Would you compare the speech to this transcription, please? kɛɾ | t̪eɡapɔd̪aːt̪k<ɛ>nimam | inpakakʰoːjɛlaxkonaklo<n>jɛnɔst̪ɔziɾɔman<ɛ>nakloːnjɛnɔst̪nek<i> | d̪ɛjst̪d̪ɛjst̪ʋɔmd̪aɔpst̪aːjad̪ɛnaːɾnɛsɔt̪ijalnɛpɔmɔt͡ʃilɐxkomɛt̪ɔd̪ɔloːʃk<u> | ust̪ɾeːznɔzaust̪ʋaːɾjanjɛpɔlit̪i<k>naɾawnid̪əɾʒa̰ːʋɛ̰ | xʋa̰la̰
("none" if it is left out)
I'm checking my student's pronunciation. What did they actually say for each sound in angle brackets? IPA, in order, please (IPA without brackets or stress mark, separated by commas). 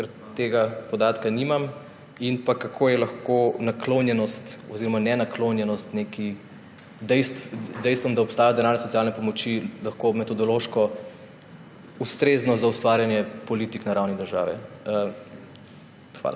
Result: a, n, ɛ, i, ɔ, k